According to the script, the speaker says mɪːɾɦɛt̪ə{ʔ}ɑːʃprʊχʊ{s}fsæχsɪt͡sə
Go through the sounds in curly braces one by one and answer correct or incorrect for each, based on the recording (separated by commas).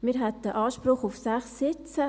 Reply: correct, incorrect